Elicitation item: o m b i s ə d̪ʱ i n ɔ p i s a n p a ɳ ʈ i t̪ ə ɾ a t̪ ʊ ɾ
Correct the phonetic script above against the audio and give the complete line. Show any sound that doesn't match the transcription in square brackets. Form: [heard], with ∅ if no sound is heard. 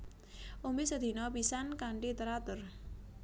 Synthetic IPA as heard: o m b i s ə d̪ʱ i n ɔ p i s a n [k] a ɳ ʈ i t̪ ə ɾ a t̪ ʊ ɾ